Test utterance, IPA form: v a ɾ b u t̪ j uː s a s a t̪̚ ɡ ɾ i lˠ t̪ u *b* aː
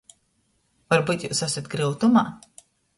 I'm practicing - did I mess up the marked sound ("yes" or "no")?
yes